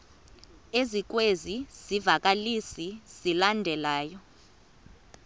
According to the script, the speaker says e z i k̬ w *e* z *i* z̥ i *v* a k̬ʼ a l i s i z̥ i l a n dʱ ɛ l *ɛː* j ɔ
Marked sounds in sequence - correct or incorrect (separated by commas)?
correct, correct, correct, incorrect